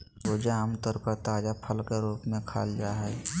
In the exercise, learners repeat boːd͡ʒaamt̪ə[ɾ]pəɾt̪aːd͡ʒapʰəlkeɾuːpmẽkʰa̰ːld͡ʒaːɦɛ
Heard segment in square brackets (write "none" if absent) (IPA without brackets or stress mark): ɾ